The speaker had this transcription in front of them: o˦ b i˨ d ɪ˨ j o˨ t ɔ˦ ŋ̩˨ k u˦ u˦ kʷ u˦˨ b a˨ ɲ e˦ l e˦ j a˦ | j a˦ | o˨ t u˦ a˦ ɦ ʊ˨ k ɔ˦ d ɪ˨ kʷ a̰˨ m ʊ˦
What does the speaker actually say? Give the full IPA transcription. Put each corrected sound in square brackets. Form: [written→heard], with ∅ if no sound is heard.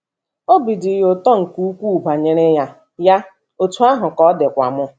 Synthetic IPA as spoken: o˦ b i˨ d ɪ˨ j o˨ t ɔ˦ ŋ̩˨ k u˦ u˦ kʷ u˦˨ b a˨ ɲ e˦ [l→ɾ] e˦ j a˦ | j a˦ | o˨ t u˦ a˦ ɦ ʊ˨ k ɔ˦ d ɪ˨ kʷ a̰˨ m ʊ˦